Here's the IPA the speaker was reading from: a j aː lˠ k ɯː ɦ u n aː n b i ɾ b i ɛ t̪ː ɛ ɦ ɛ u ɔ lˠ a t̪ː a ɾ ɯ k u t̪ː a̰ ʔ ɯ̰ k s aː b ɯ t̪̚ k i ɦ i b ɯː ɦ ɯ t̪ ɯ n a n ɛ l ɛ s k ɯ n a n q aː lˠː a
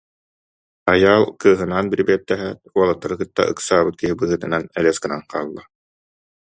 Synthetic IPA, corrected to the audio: a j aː lˠ k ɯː ɦ ɯ n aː n b i ɾ b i ɛ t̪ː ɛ ɦ ɛ u ɔ lˠ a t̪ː a ɾ ɯ k ɯ t̪ː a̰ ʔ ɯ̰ k s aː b ɯ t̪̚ k i ɦ i b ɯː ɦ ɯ t̪ ɯ n a n ɛ l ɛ s k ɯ n a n q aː lˠː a

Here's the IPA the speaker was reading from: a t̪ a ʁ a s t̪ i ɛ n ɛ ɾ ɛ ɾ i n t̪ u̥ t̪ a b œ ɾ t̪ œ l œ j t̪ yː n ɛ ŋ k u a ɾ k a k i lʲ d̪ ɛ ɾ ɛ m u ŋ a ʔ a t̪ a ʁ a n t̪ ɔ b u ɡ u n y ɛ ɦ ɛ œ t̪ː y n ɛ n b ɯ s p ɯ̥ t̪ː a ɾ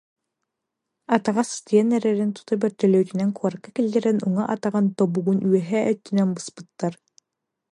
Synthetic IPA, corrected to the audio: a t̪ a ʁ a s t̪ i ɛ n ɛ ɾ ɛ ɾ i n t̪ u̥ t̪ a b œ ɾ t̪ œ l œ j t̪ y n ɛ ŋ k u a ɾ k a k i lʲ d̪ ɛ ɾ ɛ n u ŋ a ʔ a t̪ a ʁ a n t̪ ɔ b u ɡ u n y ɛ ɦ ɛ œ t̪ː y n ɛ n b ɯ s p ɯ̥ t̪ː a ɾ

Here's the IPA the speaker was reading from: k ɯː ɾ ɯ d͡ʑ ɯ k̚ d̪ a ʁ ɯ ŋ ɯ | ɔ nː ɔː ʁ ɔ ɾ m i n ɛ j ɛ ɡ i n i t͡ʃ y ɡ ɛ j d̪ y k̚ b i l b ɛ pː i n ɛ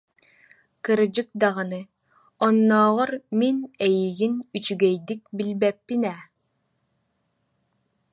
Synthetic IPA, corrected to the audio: k ɯ ɾ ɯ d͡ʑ ɯ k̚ d̪ a ʁ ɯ n ɯ | ɔ nː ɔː ʁ ɔ ɾ m i n ɛ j i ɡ i n y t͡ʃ y ɡ ɛ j d̪ i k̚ b i l b ɛ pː i n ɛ

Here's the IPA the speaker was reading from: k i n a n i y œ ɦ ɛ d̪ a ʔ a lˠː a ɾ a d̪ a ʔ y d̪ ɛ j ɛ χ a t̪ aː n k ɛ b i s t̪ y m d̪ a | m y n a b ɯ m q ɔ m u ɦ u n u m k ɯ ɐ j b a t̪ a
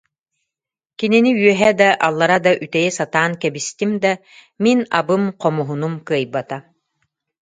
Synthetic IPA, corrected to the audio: k i n i n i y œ ɦ ɛ d̪ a ʔ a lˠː a ɾ a d̪ a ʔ y t̪ ɛ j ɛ s a t̪ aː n k ɛ b i s t̪ i m d̪ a | m i n a b ɯ m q ɔ m u ɦ u n u m k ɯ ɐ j b a t̪ a

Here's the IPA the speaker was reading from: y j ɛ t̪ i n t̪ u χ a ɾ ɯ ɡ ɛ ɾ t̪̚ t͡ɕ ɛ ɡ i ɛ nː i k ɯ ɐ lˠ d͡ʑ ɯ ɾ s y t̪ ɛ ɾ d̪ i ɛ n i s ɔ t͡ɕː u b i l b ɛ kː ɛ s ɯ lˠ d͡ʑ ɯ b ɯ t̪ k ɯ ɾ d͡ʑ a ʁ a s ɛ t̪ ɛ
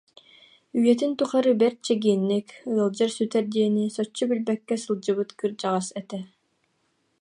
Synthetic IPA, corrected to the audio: y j ɛ t̪ i n t̪ u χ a ɾ ɯ b ɛ ɾ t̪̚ t͡ɕ ɛ ɡ i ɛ nː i k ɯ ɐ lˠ d͡ʑ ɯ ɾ s y t̪ ɛ ɾ d̪ i ɛ n i s ɔ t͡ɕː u b i l b ɛ kː ɛ s ɯ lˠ d͡ʑ ɯ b ɯ t̪ k ɯ ɾ d͡ʑ a ʁ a s ɛ t̪ ɛ

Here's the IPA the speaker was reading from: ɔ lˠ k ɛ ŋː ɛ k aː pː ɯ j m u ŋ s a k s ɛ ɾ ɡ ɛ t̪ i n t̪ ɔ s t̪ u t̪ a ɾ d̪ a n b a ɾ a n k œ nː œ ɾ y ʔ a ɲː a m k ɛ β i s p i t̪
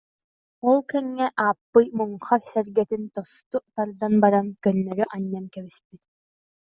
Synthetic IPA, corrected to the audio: ɔ lˠ k ɛ ŋː ɛ ʔ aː pː ɯ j m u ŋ χ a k s ɛ ɾ ɡ ɛ t̪ i n t̪ ɔ s t̪ u t̪ a ɾ d̪ a n b a ɾ a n k œ nː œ ɾ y ʔ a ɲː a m k ɛ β i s p i t̪

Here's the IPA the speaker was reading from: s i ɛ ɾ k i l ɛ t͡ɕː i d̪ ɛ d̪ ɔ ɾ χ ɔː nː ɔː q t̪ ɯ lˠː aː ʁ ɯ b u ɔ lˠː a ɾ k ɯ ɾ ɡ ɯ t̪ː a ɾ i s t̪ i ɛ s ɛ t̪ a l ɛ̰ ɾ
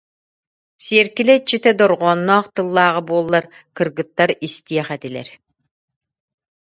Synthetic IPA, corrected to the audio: s i ɛ ɾ k i l ɛ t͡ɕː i t̪ ɛ d̪ ɔ ɾ ʁ ɔː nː ɔː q t̪ ɯ lˠː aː ʁ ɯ b u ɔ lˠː a ɾ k ɯ ɾ ɡ ɯ t̪ː a ɾ i s t̪ i ɛ χ ɛ t̪ i l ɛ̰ ɾ

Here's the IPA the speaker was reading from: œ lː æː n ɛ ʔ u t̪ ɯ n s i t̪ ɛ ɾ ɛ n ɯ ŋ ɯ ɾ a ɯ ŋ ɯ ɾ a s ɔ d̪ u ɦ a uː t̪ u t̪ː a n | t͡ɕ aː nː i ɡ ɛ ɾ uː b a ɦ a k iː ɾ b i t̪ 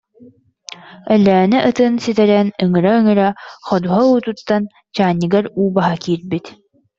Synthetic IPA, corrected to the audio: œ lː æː n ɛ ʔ ɯ t̪ ɯ n s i t̪ ɛ ɾ ɛ n ɯ ŋ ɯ ɾ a ɯ ŋ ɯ ɾ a χ ɔ d̪ u ɦ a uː t̪ u t̪ː a n | t͡ɕ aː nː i ɡ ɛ ɾ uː b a ɦ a k iː ɾ b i t̪

